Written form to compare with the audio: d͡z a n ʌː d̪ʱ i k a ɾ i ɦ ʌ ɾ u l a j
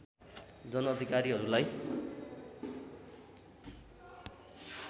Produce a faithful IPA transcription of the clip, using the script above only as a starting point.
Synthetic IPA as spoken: d͡z ʌ n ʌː d̪ʱ i k a ɾ i ɦ ʌ ɾ u l a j